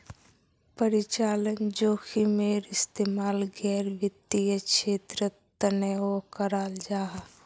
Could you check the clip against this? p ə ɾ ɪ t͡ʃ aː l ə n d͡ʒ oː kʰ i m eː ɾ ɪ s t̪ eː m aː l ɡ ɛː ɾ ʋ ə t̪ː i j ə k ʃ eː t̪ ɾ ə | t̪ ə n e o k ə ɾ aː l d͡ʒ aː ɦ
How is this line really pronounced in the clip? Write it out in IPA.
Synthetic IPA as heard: p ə ɾ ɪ t͡ʃ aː l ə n d͡ʒ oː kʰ i m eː ɾ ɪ s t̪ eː m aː l ɡ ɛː ɾ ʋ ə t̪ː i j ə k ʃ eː t̪ ɾ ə | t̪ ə n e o k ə ɾ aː l d͡ʒ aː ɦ